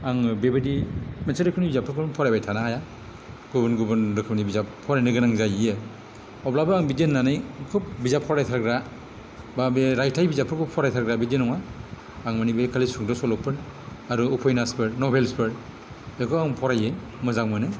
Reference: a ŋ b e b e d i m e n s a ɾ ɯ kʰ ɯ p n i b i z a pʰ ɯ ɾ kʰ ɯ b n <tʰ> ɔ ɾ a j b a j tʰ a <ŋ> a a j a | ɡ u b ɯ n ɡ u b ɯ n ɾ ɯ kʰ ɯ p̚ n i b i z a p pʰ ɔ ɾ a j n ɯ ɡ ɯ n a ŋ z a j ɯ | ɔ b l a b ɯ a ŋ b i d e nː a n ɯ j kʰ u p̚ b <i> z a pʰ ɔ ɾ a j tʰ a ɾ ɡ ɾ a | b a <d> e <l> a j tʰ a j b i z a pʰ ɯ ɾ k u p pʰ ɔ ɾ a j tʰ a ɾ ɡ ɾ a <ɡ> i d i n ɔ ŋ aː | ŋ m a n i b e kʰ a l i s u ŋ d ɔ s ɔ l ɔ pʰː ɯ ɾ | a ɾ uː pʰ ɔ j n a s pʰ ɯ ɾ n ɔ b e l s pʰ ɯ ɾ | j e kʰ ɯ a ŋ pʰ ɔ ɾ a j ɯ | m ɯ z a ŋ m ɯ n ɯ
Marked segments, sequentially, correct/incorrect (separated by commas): incorrect, incorrect, correct, incorrect, incorrect, incorrect